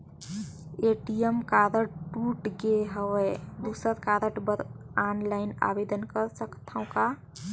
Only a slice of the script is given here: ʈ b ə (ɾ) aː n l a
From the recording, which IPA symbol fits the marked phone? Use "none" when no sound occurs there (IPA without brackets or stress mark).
ɾ